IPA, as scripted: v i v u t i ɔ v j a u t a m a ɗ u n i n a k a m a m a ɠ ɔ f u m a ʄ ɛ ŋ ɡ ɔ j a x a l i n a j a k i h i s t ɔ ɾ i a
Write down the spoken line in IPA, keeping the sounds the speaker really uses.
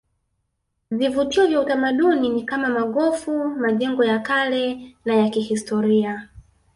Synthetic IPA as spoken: v i v u t i ɔ v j a u t a m a ɗ u n i n i k a m a m a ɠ ɔ f u m a ʄ ɛ ŋ ɡ ɔ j a k a l ɛ n a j a k i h i s t ɔ ɾ i a

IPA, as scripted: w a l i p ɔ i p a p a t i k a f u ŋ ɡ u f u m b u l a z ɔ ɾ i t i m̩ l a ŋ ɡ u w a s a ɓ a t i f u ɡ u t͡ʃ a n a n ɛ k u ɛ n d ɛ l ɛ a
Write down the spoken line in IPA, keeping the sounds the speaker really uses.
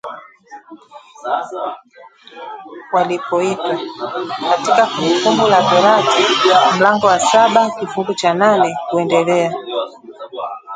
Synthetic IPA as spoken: w a l i p ɔ i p a k a t i k a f u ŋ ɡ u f u m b u l a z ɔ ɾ a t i m̩ l a ŋ ɡ ɔ w a s a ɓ a k i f u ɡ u t͡ʃ a n a n ɛ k u ɛ n d ɛ l ɛ a

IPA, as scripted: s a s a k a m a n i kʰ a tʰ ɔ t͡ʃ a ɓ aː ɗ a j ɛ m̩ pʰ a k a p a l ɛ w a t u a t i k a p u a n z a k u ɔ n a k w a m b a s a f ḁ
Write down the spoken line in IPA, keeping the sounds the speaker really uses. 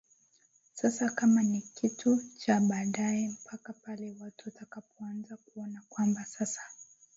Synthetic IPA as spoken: s a s a k a m a n i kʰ i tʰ u t͡ʃ a ɓ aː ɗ a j ɛ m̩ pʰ a k a p a l ɛ w a t u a t a k a p ɔ a n z a k u ɔ n a k w a m b a s a s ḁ

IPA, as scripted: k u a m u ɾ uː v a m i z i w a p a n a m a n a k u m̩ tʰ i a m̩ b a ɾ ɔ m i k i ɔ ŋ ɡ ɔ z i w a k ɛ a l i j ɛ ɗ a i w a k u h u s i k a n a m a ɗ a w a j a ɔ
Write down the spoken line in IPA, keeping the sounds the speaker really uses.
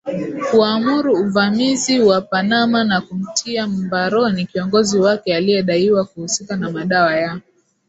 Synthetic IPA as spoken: k u a m u ɾ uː v a m i z i w a p a n a m a n a k u m̩ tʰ i a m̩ b a ɾ ɔ n i k i ɔ ŋ ɡ ɔ z i w a k ɛ a l i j ɛ ɗ a i w a k u h u s i k a n a m a ɗ a w a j a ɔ

